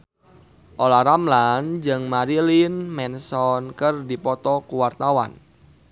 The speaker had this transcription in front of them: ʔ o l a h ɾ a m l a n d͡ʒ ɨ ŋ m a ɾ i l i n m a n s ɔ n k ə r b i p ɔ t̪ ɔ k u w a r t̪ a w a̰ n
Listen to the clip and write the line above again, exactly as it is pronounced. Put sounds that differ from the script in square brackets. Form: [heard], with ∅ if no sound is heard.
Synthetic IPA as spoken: ʔ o l a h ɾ a m l a n d͡ʒ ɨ ŋ m a ɾ i l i n m [ɛ] n s ɔ n k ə r [d] i p ɔ t̪ ɔ k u w a r t̪ a w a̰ n